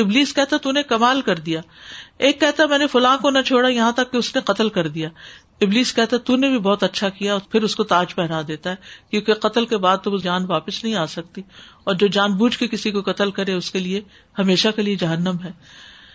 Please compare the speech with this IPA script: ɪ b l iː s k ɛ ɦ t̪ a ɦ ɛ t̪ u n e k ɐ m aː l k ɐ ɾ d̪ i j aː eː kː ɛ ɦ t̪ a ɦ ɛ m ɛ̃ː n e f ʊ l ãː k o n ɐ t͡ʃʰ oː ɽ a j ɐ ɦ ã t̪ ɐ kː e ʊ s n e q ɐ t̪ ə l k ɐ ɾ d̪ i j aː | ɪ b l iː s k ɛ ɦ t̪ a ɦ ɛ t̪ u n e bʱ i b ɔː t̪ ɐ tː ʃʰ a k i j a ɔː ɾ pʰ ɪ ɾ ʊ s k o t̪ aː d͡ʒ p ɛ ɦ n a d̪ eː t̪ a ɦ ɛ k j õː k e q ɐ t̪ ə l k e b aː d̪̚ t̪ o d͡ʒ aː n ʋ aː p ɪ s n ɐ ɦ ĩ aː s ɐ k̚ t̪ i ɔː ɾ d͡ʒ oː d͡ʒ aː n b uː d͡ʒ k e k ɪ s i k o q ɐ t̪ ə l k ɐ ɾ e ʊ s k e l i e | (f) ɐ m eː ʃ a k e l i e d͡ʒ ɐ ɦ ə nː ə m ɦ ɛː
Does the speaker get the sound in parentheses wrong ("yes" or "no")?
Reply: yes